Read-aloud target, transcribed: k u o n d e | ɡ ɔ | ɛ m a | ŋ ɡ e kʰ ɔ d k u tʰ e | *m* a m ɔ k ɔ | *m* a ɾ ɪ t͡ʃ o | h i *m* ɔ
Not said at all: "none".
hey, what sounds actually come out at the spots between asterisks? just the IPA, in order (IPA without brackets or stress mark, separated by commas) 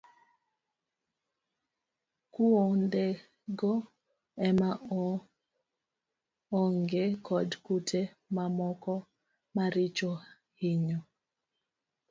m, m, ɲ